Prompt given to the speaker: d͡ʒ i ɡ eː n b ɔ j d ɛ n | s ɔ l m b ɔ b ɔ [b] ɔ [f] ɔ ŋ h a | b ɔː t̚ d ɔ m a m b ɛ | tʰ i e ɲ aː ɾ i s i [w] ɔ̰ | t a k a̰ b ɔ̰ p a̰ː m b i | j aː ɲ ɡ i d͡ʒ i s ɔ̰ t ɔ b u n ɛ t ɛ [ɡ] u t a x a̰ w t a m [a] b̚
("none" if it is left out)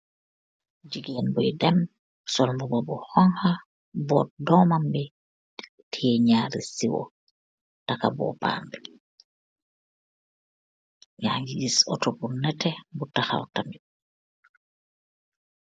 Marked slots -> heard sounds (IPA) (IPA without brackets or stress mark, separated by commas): b, h, w, b, i